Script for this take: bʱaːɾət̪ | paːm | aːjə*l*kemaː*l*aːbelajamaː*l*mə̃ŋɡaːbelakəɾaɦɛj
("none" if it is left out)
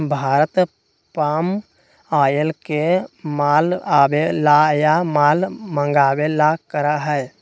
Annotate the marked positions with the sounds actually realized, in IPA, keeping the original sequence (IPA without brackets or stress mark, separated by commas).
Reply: l, l, l